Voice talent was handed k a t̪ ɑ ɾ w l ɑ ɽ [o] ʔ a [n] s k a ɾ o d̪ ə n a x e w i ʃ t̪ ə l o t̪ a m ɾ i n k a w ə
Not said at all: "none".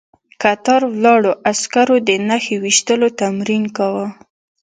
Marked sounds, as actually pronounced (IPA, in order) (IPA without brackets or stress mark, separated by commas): o, none